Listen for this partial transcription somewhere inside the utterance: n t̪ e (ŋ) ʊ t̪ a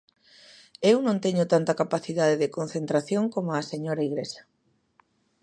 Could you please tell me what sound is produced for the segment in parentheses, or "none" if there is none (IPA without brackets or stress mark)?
ɲ